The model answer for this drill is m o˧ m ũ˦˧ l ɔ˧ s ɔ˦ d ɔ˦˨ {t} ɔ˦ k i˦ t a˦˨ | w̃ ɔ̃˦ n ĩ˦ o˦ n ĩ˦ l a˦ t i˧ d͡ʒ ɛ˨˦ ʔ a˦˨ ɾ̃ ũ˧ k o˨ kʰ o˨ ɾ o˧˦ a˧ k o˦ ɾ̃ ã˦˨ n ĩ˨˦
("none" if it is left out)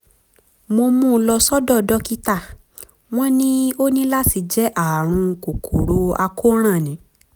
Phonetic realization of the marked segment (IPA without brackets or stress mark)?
d